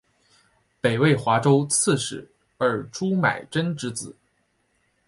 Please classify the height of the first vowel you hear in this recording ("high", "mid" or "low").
mid